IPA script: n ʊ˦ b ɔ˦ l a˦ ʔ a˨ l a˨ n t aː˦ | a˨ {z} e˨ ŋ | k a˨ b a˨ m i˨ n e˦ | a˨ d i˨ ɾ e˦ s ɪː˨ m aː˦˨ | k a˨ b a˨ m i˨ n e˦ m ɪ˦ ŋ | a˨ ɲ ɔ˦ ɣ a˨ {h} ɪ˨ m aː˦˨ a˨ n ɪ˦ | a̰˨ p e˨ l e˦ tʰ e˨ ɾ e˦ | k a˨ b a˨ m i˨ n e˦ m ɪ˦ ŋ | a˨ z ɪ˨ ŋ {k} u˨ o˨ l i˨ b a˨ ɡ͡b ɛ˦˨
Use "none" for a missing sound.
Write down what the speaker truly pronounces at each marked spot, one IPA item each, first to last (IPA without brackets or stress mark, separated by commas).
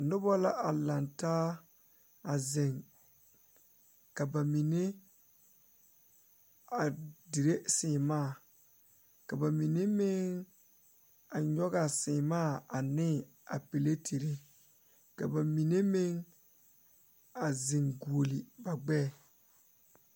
z, s, ɡ